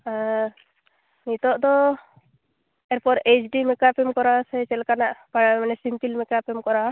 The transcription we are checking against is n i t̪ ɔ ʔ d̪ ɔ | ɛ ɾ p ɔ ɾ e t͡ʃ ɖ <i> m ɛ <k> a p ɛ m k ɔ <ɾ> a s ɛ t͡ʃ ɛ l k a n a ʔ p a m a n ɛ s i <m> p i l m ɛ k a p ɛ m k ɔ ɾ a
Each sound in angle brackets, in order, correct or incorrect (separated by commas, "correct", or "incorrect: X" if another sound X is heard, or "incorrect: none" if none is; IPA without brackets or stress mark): correct, correct, correct, correct